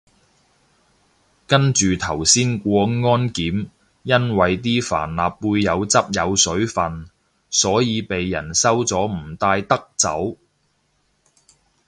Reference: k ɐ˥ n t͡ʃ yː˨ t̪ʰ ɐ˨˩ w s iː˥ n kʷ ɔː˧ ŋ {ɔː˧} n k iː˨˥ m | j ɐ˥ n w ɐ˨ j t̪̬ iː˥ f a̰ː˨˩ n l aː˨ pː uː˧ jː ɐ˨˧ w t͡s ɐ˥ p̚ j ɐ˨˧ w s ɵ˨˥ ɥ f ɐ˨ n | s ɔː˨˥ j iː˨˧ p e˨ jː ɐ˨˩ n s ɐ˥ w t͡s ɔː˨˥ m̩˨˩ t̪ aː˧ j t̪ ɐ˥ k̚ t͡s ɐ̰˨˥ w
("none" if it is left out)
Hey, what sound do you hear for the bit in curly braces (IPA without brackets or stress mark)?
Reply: ɔː˥